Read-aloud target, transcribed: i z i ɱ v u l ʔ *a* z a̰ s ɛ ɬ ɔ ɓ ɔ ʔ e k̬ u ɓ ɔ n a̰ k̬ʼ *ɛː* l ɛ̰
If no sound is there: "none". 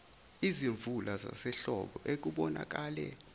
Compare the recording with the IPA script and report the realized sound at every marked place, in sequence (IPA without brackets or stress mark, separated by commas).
a, aː